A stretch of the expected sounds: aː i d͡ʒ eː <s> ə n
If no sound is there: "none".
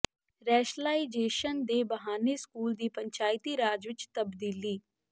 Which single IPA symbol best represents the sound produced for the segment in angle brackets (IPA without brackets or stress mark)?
ʃ